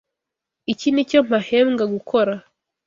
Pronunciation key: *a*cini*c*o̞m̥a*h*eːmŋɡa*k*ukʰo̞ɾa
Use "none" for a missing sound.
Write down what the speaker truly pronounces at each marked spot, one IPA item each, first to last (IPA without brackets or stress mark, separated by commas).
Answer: i, c, h, ɡ